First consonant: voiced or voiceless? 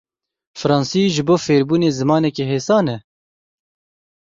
voiceless